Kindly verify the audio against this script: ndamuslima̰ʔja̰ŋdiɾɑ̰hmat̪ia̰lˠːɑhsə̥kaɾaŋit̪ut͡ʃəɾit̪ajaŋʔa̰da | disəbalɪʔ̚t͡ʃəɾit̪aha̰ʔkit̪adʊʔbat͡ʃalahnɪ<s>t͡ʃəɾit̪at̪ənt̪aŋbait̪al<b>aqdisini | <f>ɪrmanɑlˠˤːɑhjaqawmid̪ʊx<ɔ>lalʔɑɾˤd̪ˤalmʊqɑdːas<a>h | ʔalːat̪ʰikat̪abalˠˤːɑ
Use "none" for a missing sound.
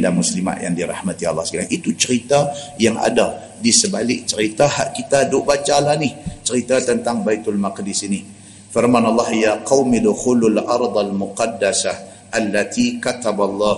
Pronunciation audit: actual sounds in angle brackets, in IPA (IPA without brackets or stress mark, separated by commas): h, m, f, u, a